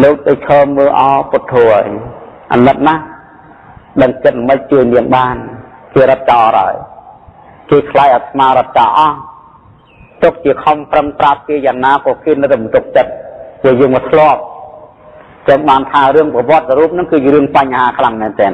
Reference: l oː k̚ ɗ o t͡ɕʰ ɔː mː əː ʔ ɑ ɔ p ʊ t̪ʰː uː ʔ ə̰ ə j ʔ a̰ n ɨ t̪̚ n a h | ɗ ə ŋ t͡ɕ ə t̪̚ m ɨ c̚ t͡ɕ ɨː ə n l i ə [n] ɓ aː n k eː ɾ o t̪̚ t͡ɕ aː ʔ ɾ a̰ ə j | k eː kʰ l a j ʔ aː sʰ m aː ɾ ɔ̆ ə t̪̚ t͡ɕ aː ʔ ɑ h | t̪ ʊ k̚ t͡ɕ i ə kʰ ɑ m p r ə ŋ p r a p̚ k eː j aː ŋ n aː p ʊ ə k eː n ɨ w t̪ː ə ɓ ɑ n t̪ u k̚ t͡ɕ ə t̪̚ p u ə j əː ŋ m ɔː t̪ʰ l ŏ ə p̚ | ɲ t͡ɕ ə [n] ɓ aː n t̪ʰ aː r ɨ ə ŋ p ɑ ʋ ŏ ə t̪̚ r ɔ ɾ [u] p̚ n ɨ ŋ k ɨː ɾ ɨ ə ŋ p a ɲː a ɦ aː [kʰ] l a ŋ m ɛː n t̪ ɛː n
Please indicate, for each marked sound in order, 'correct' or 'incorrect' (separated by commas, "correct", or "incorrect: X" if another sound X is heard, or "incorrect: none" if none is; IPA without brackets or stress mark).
incorrect: ŋ, incorrect: ŋ, incorrect: uː, correct